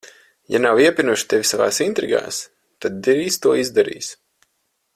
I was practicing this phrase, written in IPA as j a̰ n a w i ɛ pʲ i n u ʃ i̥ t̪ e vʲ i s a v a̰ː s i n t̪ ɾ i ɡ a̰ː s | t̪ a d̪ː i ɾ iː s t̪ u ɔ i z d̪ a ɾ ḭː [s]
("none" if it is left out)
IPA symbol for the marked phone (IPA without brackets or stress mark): s